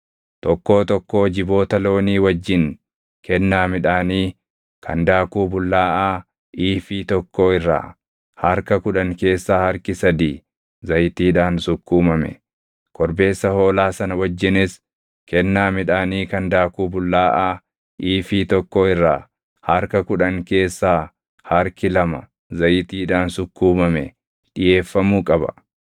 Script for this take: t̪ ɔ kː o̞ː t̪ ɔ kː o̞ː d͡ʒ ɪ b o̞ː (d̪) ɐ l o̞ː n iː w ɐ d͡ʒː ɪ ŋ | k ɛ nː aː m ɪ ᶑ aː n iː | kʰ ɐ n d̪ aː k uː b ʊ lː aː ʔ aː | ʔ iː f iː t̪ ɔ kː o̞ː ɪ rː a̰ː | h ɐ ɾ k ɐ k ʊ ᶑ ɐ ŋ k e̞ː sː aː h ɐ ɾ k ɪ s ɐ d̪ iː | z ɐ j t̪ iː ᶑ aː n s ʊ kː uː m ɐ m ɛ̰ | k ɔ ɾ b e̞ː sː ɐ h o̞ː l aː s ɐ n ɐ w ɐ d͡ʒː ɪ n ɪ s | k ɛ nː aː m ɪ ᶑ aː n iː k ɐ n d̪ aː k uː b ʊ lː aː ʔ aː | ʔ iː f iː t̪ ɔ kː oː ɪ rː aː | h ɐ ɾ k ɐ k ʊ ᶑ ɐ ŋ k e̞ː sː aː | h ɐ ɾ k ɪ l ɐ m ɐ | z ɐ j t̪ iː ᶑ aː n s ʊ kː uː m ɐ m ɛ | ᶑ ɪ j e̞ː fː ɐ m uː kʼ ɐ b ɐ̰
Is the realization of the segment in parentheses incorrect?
yes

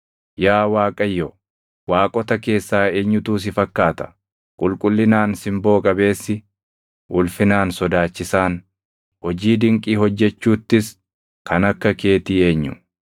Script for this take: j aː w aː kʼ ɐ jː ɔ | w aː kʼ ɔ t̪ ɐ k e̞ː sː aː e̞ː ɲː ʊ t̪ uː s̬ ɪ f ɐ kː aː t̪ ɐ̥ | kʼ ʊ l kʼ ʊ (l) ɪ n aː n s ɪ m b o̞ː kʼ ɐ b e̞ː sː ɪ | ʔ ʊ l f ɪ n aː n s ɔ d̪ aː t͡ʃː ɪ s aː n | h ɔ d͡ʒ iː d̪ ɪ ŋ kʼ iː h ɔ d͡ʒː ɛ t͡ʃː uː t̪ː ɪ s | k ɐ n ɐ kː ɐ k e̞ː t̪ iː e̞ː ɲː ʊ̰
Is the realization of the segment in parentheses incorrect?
yes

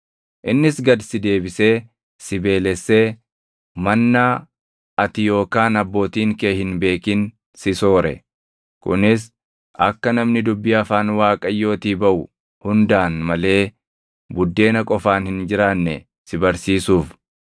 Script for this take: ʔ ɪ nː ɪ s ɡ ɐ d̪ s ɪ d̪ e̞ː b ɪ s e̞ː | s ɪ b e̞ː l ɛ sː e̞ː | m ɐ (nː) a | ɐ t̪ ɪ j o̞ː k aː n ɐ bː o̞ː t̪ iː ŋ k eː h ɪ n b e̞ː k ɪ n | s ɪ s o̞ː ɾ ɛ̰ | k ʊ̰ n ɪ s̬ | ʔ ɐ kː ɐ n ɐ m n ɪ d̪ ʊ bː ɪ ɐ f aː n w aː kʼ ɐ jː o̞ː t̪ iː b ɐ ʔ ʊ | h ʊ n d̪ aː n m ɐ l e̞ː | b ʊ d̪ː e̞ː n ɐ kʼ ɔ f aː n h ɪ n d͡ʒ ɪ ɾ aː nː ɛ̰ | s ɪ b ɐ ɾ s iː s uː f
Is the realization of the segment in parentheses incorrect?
no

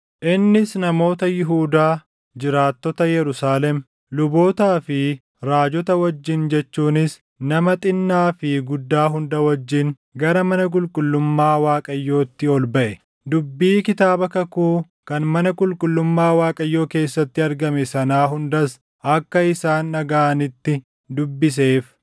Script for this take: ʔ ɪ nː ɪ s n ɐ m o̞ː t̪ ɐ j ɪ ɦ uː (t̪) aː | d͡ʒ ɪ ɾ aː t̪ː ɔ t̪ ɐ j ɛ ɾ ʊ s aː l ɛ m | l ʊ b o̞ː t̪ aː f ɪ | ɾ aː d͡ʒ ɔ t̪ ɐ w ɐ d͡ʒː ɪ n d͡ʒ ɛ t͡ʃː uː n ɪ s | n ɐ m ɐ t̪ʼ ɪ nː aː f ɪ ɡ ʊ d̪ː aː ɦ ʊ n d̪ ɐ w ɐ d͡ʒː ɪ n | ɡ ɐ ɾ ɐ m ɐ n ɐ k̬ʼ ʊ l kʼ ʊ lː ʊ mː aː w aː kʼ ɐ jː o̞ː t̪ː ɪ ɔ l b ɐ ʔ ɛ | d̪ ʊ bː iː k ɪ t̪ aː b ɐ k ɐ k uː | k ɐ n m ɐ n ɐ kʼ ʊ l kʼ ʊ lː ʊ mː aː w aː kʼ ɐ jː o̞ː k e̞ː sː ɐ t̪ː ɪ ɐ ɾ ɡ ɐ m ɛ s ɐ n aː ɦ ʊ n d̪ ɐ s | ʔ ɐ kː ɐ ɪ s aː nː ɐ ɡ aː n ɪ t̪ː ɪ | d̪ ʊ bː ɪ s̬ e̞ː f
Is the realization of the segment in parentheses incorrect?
yes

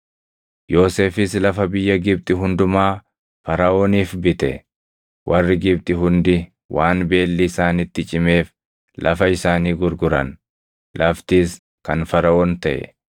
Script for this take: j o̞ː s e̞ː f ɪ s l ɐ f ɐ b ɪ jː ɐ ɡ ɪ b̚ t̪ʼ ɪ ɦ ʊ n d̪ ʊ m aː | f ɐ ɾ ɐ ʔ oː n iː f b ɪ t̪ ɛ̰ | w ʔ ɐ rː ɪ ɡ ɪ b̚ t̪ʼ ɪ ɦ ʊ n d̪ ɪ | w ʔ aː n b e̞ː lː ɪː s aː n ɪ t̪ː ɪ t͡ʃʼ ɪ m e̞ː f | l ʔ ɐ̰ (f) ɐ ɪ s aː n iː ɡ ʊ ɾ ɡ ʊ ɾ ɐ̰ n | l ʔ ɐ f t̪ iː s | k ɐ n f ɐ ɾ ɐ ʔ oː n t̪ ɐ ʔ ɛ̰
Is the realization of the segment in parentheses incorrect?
no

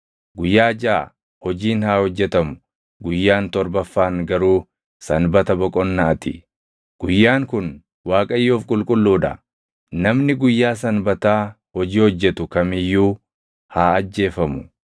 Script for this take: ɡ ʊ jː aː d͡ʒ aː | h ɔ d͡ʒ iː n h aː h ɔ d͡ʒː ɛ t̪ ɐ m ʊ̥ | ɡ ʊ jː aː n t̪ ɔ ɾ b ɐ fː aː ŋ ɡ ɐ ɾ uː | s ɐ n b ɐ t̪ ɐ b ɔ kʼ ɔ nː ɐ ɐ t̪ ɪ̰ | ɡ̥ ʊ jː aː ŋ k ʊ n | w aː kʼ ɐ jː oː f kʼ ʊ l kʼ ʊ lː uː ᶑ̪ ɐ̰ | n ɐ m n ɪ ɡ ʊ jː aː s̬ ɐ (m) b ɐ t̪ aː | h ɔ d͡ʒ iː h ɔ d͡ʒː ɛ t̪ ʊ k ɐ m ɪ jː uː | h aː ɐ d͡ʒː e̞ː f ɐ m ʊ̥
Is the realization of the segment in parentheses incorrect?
yes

